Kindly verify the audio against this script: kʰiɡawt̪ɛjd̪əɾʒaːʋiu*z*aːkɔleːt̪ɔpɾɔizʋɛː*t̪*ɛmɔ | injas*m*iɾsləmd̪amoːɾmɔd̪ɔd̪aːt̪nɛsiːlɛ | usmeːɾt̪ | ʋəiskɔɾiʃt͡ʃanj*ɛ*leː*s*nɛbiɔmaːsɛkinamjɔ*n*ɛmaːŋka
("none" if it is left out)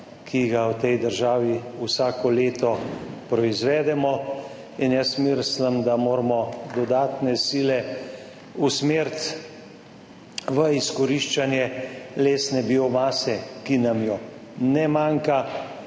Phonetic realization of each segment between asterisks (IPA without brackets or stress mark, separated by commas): s, d̪, m, ɛ, s, n